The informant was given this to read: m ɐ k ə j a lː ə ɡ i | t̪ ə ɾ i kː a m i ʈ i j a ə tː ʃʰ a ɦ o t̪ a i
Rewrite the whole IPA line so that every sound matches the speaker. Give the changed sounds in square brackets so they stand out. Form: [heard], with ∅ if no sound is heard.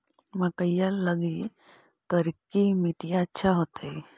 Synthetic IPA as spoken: m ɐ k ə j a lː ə ɡ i | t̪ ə ɾ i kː [i] m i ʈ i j a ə tː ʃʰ a ɦ o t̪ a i